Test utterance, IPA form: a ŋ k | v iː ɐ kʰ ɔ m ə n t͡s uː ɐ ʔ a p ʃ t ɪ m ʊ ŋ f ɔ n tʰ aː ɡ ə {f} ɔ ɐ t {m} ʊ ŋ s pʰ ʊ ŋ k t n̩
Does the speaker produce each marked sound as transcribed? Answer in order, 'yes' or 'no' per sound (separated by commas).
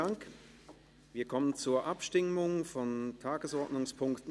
no, no